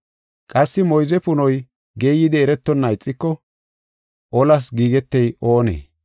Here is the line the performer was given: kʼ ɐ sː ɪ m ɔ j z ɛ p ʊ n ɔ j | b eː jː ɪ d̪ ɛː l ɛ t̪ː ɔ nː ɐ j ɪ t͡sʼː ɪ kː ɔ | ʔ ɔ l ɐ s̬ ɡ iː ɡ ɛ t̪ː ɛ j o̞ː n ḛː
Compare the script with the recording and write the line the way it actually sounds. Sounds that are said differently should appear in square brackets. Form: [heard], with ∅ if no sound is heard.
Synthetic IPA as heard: kʼ ɐ sː ɪ m ɔ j z ɛ p ʊ n ɔ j | [ɡ] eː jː ɪ d̪ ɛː [ɾ] ɛ t̪ː ɔ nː ɐ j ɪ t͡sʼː ɪ kː ɔ | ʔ ɔ l ɐ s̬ ɡ iː ɡ ɛ t̪ː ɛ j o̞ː n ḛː